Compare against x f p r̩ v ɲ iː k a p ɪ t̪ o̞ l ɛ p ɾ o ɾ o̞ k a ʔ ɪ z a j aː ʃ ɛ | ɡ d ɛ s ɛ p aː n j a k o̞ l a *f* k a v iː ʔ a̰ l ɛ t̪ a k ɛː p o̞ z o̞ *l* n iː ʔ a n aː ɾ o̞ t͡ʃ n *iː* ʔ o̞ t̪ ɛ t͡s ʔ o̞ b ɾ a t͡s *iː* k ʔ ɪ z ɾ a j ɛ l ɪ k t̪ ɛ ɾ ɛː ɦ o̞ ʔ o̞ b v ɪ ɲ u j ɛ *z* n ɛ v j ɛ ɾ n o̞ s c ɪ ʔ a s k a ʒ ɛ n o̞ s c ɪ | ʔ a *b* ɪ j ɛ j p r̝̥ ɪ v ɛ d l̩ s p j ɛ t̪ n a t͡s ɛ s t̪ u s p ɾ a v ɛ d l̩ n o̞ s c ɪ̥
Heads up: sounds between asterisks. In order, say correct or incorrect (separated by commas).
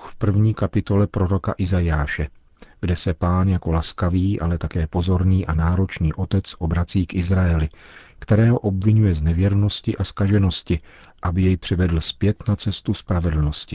incorrect, incorrect, correct, correct, correct, correct